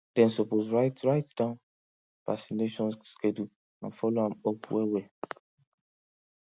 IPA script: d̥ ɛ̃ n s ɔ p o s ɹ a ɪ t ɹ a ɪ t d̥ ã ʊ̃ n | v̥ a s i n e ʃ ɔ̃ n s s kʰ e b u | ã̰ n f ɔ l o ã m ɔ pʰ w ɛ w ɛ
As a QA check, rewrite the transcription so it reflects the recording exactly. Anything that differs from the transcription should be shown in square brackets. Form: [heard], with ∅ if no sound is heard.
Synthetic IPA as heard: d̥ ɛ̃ n s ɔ p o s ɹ a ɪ t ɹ a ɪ t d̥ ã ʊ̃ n | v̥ a s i n e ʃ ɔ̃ n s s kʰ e [d] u | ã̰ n f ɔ l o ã m ɔ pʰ w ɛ w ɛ